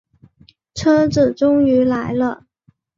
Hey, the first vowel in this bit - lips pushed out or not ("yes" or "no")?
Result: no